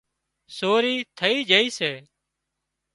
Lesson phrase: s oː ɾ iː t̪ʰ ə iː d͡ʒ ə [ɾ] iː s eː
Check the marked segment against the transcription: incorrect: none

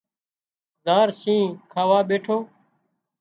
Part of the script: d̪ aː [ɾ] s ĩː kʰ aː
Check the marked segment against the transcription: correct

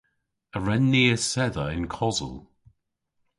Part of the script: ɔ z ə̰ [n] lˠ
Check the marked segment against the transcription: incorrect: none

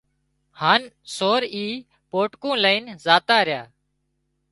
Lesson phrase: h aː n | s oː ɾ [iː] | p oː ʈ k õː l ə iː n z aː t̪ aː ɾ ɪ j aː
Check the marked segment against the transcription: correct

